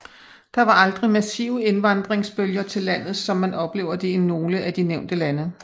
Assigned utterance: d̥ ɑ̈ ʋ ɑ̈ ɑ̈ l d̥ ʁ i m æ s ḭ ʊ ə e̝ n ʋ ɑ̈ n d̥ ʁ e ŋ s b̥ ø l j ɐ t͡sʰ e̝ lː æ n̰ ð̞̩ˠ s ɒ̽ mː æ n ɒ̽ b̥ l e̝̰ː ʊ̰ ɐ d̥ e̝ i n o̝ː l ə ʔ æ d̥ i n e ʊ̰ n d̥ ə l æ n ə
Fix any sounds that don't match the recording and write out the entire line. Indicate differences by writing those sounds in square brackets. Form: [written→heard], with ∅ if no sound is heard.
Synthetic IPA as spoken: d̥ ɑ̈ ʋ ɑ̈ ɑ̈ l d̥ ʁ i m æ s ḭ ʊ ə e̝ n ʋ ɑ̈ n d̥ ʁ e ŋ s b̥ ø l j ɐ t͡sʰ e̝ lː æ n̰ ð̞̩ˠ s ɒ̽ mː æ n ɒ̽ b̥ l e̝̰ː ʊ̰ ɐ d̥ e̝ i n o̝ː l ə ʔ æ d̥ i n e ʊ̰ n d̥ ə l æ n ə